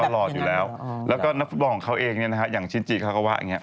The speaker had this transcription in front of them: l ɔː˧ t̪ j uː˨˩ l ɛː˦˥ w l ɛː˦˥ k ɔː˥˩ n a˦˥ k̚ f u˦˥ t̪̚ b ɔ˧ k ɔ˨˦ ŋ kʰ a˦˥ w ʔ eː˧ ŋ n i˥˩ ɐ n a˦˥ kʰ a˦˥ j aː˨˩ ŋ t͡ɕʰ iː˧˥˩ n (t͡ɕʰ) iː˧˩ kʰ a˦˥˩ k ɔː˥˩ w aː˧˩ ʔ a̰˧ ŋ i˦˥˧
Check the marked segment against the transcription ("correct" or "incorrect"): incorrect